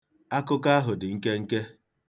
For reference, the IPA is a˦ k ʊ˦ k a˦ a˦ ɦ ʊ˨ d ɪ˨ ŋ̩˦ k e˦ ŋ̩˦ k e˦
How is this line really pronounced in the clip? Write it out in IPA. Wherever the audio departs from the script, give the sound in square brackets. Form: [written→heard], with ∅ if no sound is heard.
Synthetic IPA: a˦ k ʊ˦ k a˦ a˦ ɦ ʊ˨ d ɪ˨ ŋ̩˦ k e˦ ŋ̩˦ k e˦

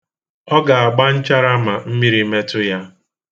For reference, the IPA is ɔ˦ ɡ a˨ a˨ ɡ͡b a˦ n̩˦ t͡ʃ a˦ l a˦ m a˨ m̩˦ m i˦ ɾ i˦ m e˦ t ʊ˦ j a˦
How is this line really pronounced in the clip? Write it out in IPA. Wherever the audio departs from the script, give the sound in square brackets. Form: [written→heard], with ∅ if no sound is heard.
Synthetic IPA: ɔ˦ ɡ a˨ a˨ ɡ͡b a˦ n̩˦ t͡ʃ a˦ [l→ɾ] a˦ m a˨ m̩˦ m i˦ ɾ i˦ m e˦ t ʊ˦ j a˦

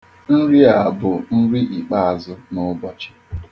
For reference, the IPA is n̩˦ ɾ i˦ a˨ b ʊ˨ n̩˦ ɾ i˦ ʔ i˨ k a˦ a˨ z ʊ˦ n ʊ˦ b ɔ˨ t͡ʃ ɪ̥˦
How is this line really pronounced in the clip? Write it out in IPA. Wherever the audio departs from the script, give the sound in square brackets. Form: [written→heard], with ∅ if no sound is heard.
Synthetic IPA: n̩˦ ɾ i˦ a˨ b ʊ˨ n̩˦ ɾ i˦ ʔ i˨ [k→k͡p] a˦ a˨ z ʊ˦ n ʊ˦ b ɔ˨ t͡ʃ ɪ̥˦

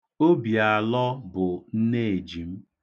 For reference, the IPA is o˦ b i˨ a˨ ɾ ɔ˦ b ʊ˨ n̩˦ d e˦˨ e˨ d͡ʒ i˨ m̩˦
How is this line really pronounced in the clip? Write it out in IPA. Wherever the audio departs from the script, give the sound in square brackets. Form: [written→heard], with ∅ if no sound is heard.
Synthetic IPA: o˦ b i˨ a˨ [ɾ→l] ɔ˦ b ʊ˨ n̩˦ [d→n] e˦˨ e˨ d͡ʒ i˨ m̩˦

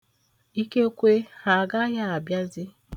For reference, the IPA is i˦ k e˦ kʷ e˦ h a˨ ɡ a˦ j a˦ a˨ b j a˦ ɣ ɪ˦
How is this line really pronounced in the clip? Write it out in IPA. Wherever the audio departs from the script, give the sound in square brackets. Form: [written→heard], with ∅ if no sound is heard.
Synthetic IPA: i˦ k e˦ kʷ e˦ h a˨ ɡ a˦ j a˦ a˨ b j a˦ [ɣ→z] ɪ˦

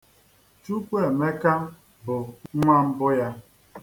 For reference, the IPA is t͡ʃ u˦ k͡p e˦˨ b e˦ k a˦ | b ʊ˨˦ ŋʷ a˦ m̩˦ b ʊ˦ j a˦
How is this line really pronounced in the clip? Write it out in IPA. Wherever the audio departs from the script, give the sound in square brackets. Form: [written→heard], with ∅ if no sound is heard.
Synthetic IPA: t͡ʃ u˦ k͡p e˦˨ [b→m] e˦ k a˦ | b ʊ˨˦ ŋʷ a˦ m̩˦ b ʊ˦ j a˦

